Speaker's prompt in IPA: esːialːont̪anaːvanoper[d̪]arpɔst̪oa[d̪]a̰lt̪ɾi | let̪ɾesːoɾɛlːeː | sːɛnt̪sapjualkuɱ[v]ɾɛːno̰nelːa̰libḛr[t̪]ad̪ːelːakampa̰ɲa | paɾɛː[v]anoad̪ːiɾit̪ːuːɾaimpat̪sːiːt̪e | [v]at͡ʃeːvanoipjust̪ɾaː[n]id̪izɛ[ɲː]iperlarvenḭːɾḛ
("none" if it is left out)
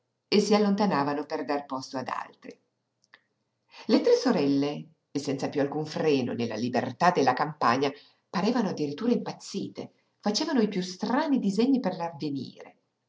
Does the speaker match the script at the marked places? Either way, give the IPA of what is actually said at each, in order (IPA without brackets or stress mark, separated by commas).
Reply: d̪, d̪, f, t̪, v, f, n, ɲː